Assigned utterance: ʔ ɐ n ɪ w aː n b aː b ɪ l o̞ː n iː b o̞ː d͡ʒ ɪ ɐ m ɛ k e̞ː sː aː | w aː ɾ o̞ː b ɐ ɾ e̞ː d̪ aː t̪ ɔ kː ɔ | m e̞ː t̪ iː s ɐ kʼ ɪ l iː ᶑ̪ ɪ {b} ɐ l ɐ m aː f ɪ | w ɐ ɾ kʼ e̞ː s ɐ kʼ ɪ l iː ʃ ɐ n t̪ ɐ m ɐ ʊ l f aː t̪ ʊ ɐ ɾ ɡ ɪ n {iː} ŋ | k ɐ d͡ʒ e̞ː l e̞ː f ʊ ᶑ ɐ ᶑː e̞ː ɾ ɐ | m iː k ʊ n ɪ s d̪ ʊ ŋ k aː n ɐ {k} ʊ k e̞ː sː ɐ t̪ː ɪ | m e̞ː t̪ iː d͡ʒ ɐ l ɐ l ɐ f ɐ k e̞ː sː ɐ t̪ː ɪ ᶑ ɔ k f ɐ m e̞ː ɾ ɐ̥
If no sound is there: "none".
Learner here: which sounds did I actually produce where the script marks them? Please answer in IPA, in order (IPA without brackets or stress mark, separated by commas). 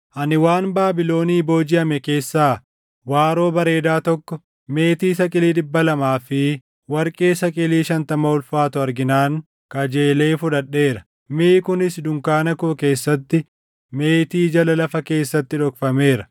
bː, aː, k